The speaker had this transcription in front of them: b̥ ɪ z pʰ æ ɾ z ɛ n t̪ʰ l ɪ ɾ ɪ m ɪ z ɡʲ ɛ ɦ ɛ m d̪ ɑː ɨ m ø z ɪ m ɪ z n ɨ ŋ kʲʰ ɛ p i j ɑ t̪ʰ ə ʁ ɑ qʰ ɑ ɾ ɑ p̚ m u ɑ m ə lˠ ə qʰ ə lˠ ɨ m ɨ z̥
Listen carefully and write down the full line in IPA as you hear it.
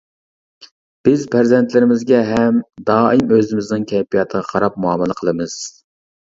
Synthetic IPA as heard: b̥ ɪ z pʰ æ ɾ z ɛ n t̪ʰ l ɪ ɾ ɪ m ɪ z ɡʲ ɛ ɦ ɛ m d̪ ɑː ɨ m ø z ɪ m ɪ z n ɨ ŋ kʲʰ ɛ p i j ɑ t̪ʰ ə ʁ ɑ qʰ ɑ ɾ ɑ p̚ m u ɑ m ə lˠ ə qʰ ə lˠ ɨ m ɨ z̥